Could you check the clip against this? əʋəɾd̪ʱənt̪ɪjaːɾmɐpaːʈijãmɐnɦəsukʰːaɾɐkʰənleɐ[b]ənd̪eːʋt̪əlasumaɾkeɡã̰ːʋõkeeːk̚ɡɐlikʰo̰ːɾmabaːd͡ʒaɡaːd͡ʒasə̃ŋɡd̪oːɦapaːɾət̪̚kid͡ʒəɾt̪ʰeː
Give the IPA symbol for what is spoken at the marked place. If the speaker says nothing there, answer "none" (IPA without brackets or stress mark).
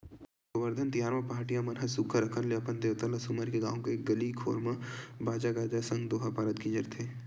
p